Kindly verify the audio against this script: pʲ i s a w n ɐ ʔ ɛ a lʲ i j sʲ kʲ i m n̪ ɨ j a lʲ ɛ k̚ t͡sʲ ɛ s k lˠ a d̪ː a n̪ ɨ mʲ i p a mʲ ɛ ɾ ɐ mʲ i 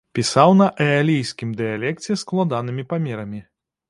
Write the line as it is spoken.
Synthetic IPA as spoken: pʲ i s a w n ɐ ʔ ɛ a lʲ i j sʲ kʲ i m d̪ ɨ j a lʲ ɛ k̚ t͡sʲ ɛ s k lˠ a d̪ a n̪ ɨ mʲ i p a mʲ ɛ ɾ ɐ mʲ i